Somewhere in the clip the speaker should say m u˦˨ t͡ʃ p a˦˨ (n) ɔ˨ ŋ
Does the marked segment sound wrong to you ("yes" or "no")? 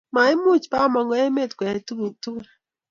yes